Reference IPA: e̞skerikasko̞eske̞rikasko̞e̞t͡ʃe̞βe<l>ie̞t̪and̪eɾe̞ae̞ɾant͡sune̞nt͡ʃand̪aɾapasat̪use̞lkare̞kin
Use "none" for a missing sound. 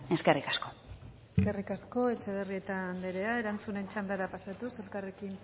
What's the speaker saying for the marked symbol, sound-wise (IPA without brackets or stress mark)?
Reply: r